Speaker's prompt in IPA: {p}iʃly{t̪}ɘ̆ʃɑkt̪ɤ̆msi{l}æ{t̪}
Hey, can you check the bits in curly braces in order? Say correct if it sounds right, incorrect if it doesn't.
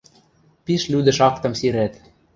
correct, incorrect: d̪, incorrect: ɾ, correct

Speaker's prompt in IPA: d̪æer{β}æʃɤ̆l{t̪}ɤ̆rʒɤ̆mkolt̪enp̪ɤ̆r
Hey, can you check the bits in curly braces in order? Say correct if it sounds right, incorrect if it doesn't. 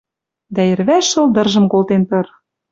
correct, incorrect: d̪

